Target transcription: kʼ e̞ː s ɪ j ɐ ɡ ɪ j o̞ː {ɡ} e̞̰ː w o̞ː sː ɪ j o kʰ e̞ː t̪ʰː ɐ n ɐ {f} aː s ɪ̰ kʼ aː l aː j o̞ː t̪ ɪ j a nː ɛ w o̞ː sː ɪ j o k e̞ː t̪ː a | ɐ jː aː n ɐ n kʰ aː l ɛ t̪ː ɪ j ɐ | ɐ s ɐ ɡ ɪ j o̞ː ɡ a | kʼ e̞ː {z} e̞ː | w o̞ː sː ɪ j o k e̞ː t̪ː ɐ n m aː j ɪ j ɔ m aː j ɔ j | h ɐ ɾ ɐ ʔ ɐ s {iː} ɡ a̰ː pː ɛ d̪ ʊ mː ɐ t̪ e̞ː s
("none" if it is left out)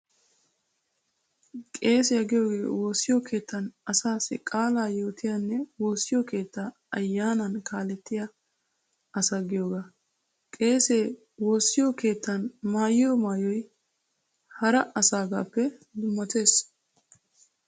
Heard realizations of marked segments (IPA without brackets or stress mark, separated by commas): ɡ, s, s, aː